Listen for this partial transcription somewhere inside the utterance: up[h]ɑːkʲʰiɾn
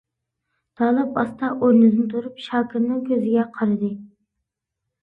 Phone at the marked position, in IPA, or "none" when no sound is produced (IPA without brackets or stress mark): ʃ